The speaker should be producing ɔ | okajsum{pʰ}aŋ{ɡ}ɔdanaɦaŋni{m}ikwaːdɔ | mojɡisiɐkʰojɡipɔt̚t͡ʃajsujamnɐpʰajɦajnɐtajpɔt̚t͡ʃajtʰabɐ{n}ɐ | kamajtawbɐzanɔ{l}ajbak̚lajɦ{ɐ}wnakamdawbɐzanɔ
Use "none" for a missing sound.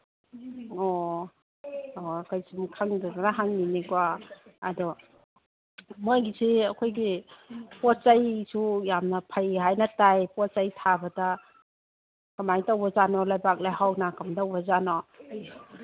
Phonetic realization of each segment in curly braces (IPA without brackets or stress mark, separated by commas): kʰ, d, n, d, l, a